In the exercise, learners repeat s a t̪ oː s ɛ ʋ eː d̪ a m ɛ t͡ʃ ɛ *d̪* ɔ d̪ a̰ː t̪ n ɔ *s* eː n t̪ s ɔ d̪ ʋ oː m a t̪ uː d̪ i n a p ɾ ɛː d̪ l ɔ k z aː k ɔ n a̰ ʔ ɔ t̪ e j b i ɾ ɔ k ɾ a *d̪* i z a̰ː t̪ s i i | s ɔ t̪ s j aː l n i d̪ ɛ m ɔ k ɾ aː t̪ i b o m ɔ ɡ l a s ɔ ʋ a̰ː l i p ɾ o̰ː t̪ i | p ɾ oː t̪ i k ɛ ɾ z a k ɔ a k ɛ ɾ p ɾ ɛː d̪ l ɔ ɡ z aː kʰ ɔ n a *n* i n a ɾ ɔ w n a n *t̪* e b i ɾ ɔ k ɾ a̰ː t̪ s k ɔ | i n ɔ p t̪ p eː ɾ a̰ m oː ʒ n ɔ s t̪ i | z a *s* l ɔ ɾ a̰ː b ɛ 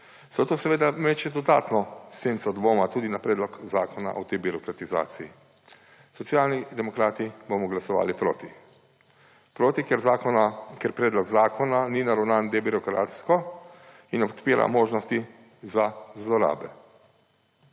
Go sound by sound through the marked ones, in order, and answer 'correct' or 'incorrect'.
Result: correct, correct, incorrect: t̪, correct, incorrect: d̪, incorrect: z

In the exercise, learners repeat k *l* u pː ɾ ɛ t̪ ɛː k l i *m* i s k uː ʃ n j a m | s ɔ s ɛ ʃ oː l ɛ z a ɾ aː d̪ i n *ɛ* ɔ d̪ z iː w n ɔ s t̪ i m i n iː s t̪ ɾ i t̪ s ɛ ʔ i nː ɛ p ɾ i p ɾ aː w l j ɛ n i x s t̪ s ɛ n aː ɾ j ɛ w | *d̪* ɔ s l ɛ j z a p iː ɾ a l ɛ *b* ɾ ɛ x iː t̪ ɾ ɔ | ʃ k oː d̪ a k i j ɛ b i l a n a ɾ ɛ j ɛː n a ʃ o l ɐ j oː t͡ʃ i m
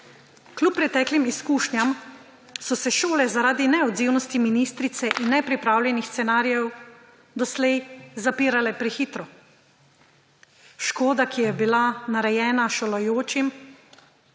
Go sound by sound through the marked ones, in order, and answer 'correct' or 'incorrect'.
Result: correct, correct, correct, correct, incorrect: p

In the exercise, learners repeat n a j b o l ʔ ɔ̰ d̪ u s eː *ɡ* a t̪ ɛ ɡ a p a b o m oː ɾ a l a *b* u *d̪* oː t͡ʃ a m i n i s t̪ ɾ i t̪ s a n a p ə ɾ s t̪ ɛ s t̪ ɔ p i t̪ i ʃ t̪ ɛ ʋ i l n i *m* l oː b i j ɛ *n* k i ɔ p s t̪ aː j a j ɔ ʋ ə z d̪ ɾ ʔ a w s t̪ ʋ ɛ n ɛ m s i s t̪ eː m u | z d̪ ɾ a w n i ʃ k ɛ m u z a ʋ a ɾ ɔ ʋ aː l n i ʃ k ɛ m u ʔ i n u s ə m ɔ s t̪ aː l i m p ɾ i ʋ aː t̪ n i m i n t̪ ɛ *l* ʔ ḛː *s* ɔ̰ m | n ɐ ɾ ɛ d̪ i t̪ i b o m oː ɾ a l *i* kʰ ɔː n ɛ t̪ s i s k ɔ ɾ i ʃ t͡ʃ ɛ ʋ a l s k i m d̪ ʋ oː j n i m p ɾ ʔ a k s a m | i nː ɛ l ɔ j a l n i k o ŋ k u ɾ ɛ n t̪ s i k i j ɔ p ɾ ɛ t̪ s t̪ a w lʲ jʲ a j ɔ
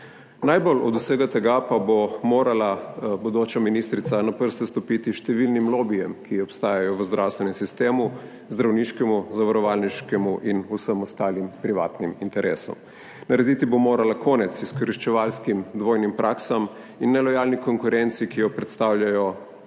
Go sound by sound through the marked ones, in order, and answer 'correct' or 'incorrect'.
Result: correct, correct, correct, correct, incorrect: m, incorrect: ɾ, correct, incorrect: a

